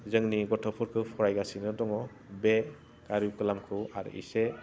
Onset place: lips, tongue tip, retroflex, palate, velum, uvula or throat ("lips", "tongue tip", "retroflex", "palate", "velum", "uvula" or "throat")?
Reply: tongue tip